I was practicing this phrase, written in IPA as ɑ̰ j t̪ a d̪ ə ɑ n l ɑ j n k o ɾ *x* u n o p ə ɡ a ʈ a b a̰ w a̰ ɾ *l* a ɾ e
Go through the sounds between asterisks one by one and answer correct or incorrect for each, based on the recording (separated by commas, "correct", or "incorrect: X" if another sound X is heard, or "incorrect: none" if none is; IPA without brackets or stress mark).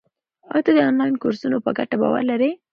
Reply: incorrect: s, correct